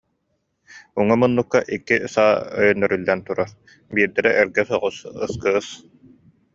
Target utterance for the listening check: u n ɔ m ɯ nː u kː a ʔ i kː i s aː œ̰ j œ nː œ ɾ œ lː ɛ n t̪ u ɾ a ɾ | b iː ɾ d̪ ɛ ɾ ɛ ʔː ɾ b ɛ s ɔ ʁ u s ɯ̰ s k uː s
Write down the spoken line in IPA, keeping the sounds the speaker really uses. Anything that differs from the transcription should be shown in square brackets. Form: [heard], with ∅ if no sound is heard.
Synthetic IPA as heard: u [ŋ] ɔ m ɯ nː u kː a ʔ i kː i s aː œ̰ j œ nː œ ɾ [y] lː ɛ n t̪ u ɾ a ɾ | b iː ɾ d̪ ɛ ɾ ɛ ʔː ɾ [ɡ] ɛ s ɔ ʁ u s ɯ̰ s k [ɯː] s